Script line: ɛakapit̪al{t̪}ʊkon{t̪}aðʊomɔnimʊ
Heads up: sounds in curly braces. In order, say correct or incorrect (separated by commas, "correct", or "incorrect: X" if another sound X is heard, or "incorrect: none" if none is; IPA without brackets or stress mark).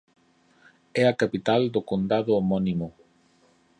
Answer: incorrect: d̪, incorrect: d̪